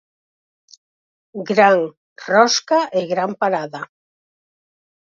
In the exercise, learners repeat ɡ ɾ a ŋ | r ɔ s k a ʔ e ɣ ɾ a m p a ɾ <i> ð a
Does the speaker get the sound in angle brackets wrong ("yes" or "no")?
yes